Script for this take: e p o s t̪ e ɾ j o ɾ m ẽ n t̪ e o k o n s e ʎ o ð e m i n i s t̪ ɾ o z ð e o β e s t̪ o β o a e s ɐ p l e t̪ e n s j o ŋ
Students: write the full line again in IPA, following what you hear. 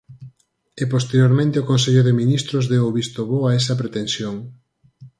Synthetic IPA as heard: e p o s t̪ e ɾ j o ɾ m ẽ n t̪ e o k o n s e ʎ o ð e m i n i s t̪ ɾ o z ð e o β i s t̪ o β o a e s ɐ p ɾ e t̪ e n s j o ŋ